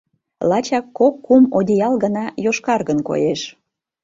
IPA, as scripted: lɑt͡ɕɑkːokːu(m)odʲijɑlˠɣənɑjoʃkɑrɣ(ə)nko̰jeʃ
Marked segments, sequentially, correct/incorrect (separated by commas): correct, correct